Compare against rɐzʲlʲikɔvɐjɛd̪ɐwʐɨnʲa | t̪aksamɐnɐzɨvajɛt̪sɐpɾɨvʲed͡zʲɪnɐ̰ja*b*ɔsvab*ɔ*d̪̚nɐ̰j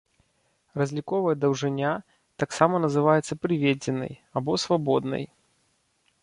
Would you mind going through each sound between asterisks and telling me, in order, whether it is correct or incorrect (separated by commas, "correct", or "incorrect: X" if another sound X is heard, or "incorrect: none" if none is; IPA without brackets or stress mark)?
correct, correct